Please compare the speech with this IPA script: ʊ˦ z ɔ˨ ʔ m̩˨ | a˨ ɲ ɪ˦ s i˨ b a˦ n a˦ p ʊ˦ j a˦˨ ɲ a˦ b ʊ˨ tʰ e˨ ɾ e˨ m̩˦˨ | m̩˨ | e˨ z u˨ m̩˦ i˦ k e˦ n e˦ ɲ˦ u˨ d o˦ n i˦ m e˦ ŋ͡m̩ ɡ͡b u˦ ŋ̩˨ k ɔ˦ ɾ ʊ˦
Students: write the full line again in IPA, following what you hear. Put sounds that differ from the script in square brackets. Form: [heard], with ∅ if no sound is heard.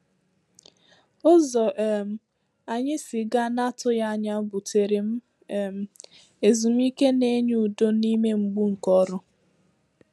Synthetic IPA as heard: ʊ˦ z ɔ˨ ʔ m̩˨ | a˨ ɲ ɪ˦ s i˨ [ɡ] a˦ n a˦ [t] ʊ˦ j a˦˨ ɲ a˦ b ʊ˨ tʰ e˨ ɾ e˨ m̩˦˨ | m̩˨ | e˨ z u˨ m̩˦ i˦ k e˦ n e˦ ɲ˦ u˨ d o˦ n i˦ m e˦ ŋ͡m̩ ɡ͡b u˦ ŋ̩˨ k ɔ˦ ɾ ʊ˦